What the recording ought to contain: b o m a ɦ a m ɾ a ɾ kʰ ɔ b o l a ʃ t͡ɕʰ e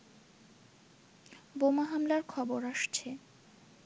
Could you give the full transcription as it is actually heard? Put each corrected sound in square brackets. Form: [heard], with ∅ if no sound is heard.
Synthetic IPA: b o m a ɦ a m [l] a ɾ kʰ ɔ b o [ɾ] a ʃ t͡ɕʰ e